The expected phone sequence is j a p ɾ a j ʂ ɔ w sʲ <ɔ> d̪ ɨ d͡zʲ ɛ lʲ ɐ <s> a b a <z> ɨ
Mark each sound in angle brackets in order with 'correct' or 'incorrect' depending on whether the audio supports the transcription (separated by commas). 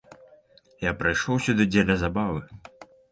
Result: incorrect, incorrect, incorrect